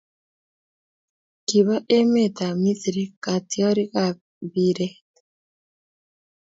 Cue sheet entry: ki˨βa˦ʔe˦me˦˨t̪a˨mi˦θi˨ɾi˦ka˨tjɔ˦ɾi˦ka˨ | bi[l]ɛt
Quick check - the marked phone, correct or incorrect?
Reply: incorrect